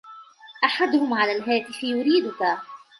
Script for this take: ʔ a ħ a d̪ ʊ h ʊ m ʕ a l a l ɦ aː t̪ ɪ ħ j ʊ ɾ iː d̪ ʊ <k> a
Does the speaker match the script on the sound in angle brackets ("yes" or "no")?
yes